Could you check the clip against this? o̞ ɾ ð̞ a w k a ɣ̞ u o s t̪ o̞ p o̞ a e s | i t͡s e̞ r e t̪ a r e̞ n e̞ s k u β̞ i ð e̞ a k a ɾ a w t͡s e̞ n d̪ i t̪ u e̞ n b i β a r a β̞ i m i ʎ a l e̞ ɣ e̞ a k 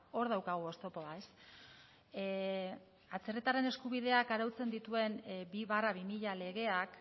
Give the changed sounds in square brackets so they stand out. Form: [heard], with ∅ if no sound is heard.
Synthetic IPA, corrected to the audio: o̞ ɾ ð̞ a w k a ɣ̞ u o s t̪ o̞ p o̞ a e s | [a] t͡s e̞ r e t̪ a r e̞ n e̞ s k u β̞ i ð e̞ a k a ɾ a w t͡s e̞ n d̪ i t̪ u e̞ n b i β a r a β̞ i m i ʎ a l e̞ ɣ e̞ a k